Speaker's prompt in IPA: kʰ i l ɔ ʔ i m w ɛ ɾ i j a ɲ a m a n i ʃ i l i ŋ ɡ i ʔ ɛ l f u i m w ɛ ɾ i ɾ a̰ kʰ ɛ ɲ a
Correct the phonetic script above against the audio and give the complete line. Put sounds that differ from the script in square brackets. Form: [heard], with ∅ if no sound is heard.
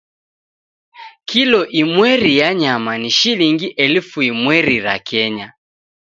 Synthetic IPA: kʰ i l ɔ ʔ i m w ɛ ɾ i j a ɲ a m a n i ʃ i l i ŋ ɡ i ʔ ɛ l f u i m w ɛ ɾ i ɾ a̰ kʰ ɛ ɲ a